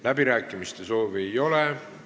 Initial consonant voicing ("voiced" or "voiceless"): voiced